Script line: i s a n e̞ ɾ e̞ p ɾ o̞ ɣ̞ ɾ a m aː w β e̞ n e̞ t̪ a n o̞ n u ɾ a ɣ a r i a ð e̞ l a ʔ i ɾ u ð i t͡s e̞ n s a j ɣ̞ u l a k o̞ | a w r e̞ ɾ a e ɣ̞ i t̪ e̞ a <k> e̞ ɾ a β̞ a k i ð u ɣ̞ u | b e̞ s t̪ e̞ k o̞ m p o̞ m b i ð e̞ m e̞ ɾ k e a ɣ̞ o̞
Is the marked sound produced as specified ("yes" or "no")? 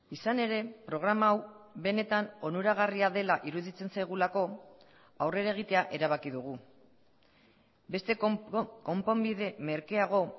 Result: no